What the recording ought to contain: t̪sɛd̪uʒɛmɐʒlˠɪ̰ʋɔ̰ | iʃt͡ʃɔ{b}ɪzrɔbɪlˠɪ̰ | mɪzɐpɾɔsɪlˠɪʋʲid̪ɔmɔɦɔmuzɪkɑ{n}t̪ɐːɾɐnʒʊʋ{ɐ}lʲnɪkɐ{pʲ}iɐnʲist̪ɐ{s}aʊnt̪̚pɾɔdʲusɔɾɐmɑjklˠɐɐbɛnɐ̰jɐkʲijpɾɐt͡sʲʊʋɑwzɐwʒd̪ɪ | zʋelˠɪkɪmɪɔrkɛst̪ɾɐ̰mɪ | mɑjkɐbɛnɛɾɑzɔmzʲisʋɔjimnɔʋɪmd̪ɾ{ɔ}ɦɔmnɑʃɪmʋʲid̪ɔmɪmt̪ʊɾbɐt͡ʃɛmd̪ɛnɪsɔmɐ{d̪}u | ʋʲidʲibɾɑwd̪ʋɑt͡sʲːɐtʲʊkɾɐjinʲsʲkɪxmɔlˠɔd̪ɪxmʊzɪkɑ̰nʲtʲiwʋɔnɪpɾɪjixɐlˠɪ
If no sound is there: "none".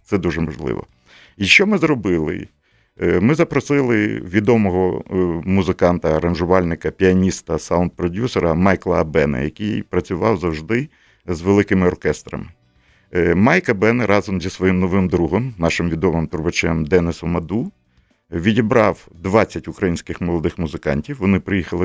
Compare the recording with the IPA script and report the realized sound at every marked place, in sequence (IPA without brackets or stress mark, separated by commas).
m, n, ɑ, pʲ, s, u, d̪